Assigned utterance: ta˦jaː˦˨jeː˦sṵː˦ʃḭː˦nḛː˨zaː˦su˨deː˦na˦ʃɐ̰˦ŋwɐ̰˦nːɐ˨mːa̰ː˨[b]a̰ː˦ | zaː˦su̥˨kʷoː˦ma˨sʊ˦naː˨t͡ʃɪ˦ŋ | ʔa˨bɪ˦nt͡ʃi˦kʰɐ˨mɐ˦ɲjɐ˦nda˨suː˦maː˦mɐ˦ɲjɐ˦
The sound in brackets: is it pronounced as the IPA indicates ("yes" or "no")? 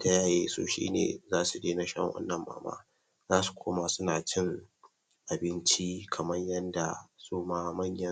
no